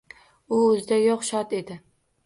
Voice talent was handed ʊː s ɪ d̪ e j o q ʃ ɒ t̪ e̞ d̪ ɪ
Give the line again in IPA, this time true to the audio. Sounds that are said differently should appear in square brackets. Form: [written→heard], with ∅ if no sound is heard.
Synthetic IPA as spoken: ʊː [s→z] ɪ d̪ [e→a] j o q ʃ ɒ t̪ e̞ d̪ ɪ